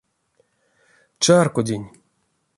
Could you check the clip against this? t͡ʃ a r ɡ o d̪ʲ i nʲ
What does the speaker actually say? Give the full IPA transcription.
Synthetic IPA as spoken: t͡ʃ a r k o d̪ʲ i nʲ